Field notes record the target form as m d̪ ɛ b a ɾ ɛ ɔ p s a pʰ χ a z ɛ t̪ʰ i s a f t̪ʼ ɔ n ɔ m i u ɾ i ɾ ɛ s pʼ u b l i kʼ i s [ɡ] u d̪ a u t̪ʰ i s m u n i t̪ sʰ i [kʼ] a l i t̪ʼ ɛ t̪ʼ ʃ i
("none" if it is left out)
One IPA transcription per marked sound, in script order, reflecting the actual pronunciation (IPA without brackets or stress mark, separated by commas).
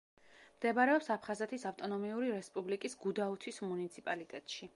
ɡ, pʼ